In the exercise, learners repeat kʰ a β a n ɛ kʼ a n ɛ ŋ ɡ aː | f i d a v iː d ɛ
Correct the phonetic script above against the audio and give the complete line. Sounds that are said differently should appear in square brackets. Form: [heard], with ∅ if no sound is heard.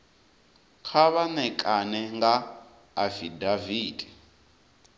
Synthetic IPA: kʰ a β a n ɛ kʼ a n ɛ ŋ ɡ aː | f i d a v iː d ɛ